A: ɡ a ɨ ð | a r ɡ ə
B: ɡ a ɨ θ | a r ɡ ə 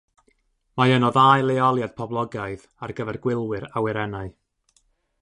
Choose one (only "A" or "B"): A